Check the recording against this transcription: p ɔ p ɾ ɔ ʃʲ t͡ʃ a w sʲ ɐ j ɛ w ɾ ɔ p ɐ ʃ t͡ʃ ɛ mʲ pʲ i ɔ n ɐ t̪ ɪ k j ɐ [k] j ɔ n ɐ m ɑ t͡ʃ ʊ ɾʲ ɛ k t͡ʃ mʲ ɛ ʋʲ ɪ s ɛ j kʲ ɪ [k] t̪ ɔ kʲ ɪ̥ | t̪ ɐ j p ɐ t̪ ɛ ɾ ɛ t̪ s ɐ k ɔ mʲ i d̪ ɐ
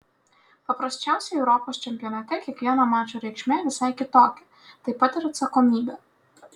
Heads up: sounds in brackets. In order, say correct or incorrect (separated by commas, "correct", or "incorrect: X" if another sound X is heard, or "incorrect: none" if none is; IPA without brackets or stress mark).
correct, incorrect: none